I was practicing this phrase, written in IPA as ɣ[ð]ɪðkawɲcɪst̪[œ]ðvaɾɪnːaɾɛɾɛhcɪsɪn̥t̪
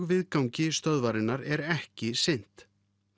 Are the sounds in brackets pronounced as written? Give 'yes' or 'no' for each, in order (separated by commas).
no, yes